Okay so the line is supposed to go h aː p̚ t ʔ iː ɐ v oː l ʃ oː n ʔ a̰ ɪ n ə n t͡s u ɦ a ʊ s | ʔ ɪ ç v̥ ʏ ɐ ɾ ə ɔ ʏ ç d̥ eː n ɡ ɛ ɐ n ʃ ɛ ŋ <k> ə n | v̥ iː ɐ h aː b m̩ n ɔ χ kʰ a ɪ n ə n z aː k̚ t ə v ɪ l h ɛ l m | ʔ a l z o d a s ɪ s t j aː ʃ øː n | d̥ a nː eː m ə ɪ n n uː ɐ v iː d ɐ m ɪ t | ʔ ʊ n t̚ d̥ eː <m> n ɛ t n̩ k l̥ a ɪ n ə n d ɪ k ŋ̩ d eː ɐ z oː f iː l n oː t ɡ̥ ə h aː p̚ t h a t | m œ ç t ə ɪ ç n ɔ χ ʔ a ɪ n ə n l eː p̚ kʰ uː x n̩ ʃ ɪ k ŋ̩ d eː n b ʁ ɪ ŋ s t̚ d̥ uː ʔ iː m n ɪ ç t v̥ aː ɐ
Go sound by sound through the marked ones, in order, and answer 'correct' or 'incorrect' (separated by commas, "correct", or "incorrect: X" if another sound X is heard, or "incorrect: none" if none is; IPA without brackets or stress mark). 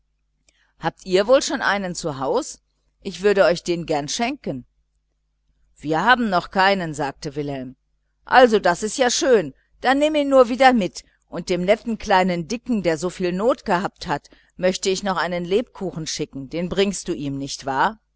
correct, correct